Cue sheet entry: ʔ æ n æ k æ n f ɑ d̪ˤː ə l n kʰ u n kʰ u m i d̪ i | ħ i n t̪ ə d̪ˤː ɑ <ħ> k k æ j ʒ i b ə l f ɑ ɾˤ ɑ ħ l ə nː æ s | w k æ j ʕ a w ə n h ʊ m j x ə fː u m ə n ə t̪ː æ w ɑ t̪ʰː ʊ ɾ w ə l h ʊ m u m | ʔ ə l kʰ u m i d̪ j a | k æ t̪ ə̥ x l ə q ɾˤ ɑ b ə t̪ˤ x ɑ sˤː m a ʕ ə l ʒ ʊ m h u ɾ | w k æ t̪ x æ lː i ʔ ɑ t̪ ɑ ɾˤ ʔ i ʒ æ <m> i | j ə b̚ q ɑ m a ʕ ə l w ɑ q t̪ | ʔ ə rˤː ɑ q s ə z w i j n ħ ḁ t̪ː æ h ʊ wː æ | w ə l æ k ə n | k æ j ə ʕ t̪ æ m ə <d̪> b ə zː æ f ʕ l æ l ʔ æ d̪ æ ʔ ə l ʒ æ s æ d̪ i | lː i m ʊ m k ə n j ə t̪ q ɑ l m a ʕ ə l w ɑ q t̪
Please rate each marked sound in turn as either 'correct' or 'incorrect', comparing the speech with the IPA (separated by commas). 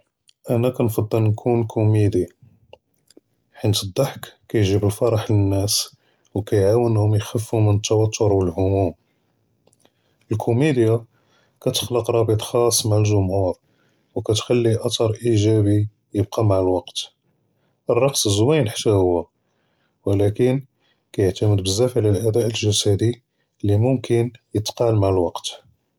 correct, incorrect, correct